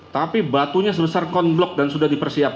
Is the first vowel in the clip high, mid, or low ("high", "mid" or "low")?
low